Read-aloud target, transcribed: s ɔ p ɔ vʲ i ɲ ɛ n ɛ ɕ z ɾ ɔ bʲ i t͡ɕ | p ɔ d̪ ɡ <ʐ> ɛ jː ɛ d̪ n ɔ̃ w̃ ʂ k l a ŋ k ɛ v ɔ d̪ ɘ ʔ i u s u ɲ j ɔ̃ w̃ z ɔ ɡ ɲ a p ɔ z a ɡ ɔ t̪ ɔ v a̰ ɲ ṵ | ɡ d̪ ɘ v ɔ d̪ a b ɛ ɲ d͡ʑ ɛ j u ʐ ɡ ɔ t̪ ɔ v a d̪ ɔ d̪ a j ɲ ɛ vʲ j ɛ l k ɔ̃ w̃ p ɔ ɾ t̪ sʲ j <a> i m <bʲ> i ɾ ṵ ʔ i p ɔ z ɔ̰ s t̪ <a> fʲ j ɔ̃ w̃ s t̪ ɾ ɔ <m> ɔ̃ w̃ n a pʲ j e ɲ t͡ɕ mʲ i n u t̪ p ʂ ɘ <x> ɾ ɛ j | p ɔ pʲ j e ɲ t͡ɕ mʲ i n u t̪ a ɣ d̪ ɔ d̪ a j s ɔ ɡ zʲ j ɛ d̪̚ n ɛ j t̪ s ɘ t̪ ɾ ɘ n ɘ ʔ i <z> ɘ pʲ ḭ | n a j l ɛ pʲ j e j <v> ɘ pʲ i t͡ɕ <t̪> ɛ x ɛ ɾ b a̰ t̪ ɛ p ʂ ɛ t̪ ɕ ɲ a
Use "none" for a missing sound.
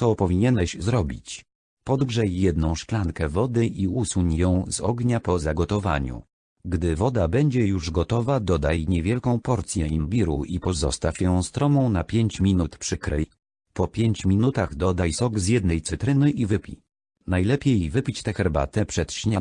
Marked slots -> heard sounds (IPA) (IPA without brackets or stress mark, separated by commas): ʐ, ɛ, bʲ, a, m, k, v, v, t̪